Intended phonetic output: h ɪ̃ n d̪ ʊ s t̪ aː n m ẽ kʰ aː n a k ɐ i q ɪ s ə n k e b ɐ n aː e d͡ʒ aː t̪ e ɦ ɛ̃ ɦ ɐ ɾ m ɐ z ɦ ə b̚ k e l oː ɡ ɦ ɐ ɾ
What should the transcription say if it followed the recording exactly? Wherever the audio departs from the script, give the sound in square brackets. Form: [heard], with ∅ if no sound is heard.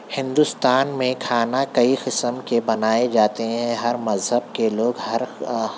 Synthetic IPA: h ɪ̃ n d̪ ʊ s t̪ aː n m ẽ kʰ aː n a k ɐ i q ɪ s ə [m] k e b ɐ n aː e d͡ʒ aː t̪ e ɦ ɛ̃ ɦ ɐ ɾ m ɐ z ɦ ə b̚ k e l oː ɡ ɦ ɐ ɾ

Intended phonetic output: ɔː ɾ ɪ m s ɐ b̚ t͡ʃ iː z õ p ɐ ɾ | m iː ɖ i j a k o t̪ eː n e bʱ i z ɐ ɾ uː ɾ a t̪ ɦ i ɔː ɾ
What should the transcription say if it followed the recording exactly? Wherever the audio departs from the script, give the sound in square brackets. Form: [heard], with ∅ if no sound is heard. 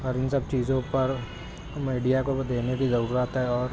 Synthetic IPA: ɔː ɾ ɪ [n] s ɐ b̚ t͡ʃ iː z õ p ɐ ɾ | m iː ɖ i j a k o [d̪] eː n e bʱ i z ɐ ɾ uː ɾ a t̪ ɦ [ɛ] ɔː ɾ

